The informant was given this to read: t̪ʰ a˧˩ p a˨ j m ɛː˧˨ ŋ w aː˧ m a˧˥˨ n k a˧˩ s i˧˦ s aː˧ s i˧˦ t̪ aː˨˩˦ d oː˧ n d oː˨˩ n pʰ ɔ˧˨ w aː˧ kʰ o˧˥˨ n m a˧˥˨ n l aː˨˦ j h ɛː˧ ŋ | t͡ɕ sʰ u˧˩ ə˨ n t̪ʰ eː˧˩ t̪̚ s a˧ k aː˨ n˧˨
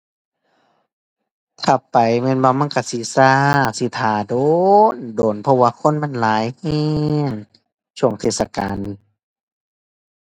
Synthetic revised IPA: t̪ʰ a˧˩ p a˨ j m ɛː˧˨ n w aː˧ m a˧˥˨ n k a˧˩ s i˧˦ s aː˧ s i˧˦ t̪ʰ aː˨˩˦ d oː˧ n d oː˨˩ n pʰ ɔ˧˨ w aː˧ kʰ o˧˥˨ n m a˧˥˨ n l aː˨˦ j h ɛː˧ ŋ | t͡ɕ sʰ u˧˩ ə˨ ŋ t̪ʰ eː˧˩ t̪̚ s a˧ k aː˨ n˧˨